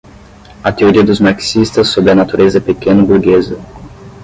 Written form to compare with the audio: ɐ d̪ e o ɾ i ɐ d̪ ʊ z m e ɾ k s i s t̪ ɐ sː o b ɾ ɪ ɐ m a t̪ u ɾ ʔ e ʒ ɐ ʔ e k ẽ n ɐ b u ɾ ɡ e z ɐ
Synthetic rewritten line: ɐ t̪ e o ɾ i ɐ d̪ ʊ z m a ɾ k s i s t̪ ɐ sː o b ɾ ɪ ɐ n a t̪ u ɾ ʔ e z ɐ p e k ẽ n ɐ b u ɾ ɡ e z ɐ